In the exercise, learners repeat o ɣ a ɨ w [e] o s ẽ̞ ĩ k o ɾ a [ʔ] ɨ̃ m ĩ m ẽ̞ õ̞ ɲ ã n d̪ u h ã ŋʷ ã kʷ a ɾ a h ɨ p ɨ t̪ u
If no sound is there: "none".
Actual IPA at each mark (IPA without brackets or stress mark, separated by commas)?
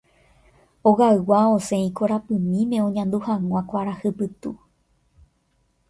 a, p